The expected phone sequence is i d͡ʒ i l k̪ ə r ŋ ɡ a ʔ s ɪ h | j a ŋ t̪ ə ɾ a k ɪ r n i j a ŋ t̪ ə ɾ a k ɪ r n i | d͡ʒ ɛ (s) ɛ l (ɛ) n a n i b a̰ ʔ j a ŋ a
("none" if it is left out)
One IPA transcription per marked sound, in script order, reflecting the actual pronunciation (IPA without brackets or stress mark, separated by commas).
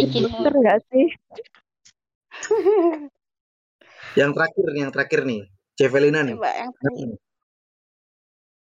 f, i